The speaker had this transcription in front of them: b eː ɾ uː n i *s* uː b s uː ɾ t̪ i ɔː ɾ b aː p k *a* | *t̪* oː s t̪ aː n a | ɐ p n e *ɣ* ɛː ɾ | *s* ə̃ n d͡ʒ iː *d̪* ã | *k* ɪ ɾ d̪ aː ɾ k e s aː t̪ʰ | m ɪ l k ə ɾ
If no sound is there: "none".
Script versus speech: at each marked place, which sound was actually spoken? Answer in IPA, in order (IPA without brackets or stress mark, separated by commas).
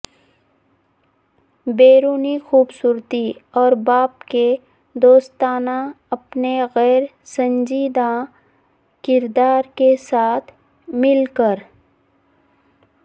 x, e, d̪, ɣ, s, d̪, k